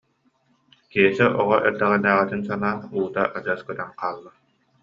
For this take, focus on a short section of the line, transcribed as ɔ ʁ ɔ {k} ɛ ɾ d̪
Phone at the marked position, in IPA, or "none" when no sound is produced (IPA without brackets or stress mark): ʔ